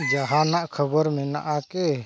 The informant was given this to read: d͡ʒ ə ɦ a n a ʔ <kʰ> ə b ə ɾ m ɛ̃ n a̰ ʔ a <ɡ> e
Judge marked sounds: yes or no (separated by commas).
yes, no